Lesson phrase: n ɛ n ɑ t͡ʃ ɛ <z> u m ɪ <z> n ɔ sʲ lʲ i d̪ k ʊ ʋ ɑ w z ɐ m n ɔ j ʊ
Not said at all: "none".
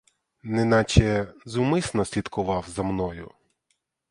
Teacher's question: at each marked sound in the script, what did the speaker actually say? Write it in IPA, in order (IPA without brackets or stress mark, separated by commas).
z, s